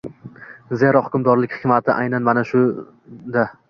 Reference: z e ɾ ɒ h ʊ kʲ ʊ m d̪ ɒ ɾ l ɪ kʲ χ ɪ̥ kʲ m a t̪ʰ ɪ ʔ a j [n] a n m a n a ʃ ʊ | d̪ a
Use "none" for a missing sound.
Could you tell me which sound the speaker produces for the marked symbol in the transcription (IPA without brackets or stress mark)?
n